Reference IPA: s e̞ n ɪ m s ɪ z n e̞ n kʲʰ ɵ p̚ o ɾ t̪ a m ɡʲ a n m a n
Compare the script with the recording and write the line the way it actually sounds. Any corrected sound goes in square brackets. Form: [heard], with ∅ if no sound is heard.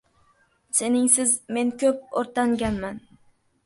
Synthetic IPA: s e̞ n ɪ [ŋ] s ɪ z [m] e̞ n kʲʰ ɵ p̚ o ɾ t̪ a [ŋ] ɡʲ a n m a n